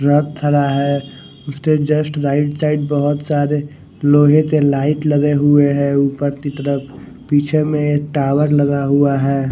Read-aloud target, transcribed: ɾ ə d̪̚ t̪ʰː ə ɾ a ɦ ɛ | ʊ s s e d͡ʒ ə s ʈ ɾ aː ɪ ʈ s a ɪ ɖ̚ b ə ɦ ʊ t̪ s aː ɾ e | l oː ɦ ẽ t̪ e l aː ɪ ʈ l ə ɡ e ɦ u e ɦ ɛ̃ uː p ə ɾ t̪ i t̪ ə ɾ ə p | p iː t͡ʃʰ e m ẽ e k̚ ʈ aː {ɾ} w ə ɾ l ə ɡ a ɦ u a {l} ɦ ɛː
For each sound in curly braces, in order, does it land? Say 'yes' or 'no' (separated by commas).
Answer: no, no